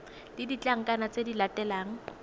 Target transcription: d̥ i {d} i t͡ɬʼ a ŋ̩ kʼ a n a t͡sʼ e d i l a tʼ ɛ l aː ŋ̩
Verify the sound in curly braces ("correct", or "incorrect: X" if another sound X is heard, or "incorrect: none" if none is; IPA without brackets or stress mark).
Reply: correct